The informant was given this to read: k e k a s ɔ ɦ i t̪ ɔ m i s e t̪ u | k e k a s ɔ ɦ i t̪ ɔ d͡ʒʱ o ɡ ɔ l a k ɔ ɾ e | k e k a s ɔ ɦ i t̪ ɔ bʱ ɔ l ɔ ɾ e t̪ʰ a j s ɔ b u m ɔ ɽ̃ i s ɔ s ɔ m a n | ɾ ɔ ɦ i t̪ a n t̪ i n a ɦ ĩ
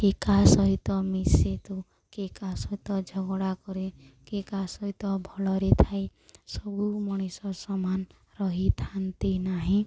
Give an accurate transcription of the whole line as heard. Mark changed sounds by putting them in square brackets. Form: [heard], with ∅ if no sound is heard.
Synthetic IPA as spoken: k e k a s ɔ ɦ i t̪ ɔ m i s e t̪ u | k e k a s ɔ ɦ i t̪ ɔ d͡ʒʱ [ɔ] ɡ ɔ [ɽ] a k ɔ ɾ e | k e k a s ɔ ɦ i t̪ ɔ bʱ ɔ l ɔ ɾ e t̪ʰ a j s ɔ b u m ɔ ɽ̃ i s ɔ s ɔ m a n | ɾ ɔ ɦ i [t̪ʰ] a n t̪ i n a ɦ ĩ